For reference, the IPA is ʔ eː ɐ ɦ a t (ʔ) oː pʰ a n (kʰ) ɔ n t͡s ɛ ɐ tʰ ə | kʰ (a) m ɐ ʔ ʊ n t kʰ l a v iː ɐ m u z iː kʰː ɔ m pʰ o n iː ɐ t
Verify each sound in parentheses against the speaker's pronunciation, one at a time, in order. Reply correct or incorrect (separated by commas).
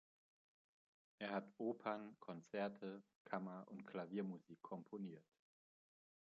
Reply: correct, correct, correct